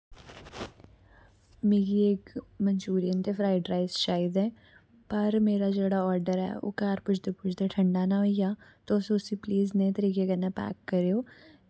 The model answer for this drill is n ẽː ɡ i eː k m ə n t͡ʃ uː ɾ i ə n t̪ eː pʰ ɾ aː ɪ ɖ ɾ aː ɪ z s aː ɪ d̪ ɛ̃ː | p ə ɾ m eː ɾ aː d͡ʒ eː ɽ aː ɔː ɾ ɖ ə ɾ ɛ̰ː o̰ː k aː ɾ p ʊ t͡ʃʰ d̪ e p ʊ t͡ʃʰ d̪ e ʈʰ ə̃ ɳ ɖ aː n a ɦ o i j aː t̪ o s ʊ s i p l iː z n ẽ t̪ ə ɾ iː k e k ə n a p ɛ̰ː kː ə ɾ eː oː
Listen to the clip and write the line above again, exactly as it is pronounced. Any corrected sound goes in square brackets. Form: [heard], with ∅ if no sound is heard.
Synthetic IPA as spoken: [m] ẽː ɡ i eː k m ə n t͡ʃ uː ɾ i ə n t̪ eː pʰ ɾ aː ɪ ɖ ɾ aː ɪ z [ʃ] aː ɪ d̪ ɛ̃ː | p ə ɾ m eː ɾ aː d͡ʒ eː ɽ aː ɔː ɾ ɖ ə ɾ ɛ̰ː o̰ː k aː ɾ p ʊ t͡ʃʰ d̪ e p ʊ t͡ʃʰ d̪ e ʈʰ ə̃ ɳ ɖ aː n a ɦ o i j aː t̪ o s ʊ s i p l iː z n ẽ t̪ ə ɾ iː k e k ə n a p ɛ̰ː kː ə ɾ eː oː

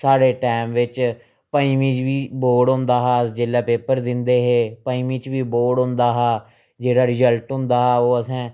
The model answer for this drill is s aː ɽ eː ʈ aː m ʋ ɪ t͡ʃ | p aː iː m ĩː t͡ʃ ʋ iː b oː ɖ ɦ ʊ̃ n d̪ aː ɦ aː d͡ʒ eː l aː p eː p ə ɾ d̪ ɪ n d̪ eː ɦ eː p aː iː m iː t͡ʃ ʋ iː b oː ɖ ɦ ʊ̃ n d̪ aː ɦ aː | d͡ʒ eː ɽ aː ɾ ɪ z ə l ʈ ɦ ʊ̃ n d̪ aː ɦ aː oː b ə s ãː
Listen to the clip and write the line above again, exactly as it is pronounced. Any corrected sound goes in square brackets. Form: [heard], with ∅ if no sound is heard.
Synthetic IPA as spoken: s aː ɽ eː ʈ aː m ʋ ɪ t͡ʃ | p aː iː m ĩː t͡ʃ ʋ iː b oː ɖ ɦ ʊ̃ n d̪ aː ɦ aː d͡ʒ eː l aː p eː p ə ɾ d̪ ɪ n d̪ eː ɦ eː p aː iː m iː t͡ʃ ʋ iː b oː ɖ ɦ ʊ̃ n d̪ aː ɦ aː | d͡ʒ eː ɽ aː ɾ ɪ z ə l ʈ ɦ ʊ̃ n d̪ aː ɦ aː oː [∅] ə s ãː

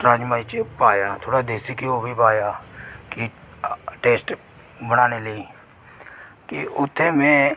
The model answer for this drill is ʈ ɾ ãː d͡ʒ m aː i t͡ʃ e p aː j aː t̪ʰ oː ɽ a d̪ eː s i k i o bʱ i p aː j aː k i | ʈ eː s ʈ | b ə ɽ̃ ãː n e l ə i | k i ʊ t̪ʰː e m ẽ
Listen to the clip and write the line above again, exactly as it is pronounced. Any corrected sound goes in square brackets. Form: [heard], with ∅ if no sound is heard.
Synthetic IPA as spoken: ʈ ɾ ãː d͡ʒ m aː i t͡ʃ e p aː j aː t̪ʰ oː ɽ a d̪ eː s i k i o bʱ i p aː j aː k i | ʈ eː s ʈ | b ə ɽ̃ [aː] n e l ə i | k i ʊ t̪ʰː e m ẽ

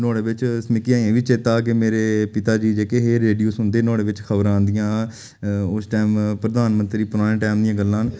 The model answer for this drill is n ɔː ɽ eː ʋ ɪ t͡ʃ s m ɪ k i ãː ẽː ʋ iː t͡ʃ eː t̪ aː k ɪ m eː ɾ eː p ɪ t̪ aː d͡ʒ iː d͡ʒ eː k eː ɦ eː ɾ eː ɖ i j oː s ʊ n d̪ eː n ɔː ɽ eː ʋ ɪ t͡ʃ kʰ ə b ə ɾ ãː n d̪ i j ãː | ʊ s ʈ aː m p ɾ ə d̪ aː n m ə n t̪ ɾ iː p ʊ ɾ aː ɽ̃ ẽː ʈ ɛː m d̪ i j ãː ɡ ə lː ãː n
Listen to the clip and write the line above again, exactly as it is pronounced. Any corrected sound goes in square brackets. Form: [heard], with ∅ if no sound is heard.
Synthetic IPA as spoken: n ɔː ɽ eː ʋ ɪ t͡ʃ s m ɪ k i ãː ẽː ʋ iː t͡ʃ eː t̪ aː k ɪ m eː ɾ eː p ɪ t̪ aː d͡ʒ iː d͡ʒ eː k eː ɦ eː ɾ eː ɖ i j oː s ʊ n d̪ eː n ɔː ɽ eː ʋ ɪ t͡ʃ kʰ ə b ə ɾ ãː n d̪ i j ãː | ʊ s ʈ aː m p ɾ ə d̪ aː n m ə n t̪ ɾ iː p ʊ ɾ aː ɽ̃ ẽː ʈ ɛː m d̪ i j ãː ɡ ə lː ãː n

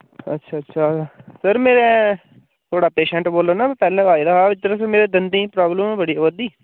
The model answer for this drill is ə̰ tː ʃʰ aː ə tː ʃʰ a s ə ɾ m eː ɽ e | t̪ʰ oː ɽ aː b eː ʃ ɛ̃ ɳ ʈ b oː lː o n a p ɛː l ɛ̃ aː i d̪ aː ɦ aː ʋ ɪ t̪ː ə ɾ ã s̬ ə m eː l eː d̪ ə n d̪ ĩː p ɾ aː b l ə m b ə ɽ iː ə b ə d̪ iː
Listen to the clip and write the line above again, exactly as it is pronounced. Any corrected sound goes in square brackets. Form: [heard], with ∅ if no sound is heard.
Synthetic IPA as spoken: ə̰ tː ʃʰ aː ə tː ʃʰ a s ə ɾ m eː [ɾ] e | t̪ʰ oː ɽ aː [p] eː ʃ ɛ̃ ɳ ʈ b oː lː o n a p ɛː l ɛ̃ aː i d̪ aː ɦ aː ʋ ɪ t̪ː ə ɾ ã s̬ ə m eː [ɾ] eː d̪ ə n d̪ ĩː p ɾ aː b l ə m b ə ɽ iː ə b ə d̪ iː

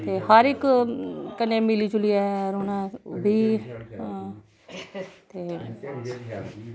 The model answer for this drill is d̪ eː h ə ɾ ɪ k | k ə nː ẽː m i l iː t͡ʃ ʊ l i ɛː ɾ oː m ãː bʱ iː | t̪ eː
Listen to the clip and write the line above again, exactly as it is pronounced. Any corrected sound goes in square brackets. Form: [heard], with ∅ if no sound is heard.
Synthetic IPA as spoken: [t̪] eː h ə ɾ ɪ k | k ə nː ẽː m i l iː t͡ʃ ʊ l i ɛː ɾ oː [n] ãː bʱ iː | t̪ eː

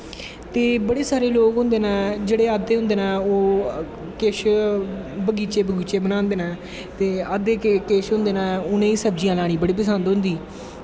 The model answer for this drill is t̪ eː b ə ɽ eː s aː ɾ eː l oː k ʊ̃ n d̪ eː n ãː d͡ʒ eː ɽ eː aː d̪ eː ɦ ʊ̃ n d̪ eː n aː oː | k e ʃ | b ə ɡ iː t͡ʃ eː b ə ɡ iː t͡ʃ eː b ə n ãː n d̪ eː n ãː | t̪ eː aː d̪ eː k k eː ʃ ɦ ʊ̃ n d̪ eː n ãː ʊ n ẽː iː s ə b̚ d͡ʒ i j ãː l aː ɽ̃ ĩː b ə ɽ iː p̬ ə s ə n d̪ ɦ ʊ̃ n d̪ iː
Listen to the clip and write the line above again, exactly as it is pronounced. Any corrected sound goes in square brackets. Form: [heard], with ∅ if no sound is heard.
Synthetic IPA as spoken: t̪ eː b ə ɽ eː s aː ɾ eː l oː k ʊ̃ n d̪ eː n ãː d͡ʒ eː ɽ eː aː d̪ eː ɦ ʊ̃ n d̪ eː n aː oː | k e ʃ | b ə ɡ iː t͡ʃ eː b ə ɡ iː t͡ʃ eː b ə n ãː n d̪ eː n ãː | t̪ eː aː d̪ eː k k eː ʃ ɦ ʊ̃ n d̪ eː n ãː ʊ n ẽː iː s ə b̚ d͡ʒ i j ãː l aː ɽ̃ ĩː b ə ɽ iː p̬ ə s ə n d̪ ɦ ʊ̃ n d̪ iː

